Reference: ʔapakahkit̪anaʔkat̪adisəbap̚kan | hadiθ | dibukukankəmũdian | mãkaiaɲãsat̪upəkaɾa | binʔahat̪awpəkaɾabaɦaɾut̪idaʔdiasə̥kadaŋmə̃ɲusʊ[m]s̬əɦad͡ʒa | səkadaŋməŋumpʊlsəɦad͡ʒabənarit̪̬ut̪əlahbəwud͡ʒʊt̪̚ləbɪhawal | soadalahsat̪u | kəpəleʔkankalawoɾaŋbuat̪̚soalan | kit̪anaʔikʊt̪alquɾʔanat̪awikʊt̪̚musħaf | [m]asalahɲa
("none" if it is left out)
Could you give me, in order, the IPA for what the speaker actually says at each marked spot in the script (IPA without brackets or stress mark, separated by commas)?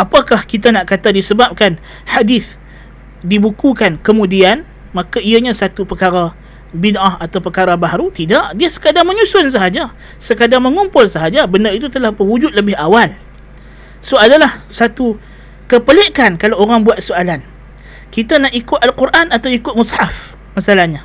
n, m